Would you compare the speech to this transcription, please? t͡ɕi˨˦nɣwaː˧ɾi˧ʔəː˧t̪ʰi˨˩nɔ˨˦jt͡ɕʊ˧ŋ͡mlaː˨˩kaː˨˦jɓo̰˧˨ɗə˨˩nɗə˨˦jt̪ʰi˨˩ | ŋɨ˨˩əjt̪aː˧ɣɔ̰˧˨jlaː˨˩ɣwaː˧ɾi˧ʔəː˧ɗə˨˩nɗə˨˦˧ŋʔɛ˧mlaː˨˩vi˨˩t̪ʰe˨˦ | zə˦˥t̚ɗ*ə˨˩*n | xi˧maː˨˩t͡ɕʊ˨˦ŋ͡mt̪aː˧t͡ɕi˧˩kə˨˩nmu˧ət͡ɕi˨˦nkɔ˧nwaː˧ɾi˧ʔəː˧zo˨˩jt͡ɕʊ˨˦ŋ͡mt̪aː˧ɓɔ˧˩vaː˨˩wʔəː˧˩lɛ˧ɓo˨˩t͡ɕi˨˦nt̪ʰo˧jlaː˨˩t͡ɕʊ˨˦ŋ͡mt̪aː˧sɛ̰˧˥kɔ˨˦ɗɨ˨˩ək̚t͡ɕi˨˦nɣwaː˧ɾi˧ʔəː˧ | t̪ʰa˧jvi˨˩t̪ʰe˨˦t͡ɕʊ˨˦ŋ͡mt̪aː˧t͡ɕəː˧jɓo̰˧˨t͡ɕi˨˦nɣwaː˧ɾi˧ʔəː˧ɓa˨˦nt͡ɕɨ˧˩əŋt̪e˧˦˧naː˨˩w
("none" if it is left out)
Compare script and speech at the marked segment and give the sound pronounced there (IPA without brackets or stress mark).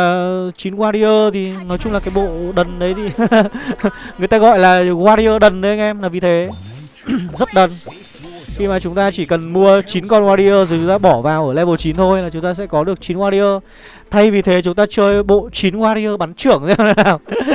ə˨˩